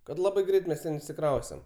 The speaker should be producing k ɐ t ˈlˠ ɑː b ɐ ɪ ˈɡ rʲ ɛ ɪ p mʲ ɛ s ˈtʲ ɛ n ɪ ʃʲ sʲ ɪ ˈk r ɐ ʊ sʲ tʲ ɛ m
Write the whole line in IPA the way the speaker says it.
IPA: k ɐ t ˈlˠ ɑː b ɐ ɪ ˈɡ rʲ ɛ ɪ t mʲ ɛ s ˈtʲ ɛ n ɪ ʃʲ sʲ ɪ ˈk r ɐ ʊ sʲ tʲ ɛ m

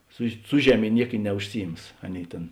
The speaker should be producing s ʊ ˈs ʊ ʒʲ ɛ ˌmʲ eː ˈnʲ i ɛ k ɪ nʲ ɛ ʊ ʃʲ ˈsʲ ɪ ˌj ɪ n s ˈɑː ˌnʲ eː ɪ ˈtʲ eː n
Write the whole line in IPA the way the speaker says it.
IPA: s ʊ ˈs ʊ ʒʲ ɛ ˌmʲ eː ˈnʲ i ɛ k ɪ nʲ ɛ ʊ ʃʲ ˈsʲ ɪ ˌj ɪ m s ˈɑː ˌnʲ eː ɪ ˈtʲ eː n

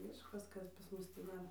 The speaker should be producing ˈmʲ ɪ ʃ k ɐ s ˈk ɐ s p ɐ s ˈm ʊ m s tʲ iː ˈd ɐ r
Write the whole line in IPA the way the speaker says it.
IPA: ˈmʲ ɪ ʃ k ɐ s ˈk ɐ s p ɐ s ˈm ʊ s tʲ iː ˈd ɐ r

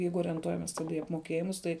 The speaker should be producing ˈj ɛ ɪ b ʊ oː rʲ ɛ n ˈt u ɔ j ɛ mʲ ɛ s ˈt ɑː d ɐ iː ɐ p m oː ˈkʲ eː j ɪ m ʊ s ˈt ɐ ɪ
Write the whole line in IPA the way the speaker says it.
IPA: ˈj ɛ ɪ ɡ ʊ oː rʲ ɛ n ˈt u ɔ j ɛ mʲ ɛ s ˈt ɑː d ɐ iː ɐ p m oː ˈkʲ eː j ɪ m ʊ s ˈt ɐ ɪ

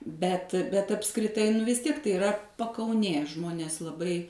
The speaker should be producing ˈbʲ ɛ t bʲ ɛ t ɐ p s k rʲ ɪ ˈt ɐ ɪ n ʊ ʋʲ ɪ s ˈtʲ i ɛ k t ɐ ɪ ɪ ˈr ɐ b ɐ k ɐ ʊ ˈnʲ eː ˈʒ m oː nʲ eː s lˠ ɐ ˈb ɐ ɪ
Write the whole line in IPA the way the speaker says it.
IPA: ˈbʲ ɛ t bʲ ɛ t ɐ p s k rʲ ɪ ˈt ɐ ɪ n ʊ ʋʲ ɪ s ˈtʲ i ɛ k t ɐ ɪ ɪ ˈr ɐ p ɐ k ɐ ʊ ˈnʲ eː ˈʒ m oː nʲ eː s lˠ ɐ ˈb ɐ ɪ

